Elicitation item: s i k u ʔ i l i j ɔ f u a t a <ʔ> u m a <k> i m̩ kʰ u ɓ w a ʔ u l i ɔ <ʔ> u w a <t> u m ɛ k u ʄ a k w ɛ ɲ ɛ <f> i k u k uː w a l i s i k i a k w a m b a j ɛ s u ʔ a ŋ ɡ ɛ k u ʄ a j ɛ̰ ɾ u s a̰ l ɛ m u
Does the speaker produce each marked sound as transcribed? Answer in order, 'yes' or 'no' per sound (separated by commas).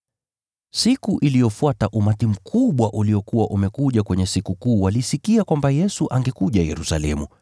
yes, no, no, no, no